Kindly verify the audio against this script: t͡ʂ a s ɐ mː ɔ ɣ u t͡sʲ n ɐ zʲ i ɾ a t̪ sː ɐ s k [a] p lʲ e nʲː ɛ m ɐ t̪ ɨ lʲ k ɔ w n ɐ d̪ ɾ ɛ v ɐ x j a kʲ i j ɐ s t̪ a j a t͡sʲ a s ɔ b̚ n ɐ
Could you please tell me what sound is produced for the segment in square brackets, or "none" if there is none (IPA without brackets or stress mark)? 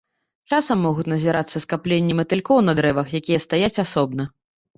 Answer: a